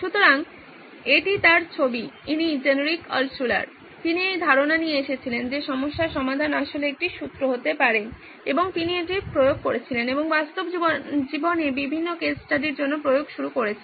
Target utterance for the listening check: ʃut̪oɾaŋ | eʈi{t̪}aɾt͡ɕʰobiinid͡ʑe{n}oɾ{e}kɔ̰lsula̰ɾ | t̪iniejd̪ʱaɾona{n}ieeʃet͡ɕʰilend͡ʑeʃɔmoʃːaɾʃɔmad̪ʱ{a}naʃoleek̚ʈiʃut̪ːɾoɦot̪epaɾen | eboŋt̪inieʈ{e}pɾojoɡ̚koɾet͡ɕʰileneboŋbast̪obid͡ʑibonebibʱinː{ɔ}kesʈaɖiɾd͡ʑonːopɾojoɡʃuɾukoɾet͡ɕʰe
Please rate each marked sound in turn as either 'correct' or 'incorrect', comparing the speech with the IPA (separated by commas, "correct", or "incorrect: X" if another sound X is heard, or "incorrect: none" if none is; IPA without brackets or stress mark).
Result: correct, correct, incorrect: i, correct, correct, incorrect: i, incorrect: o